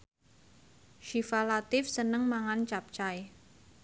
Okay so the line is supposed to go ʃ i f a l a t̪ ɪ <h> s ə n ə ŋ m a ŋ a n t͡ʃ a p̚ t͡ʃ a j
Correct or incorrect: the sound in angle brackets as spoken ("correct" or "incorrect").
incorrect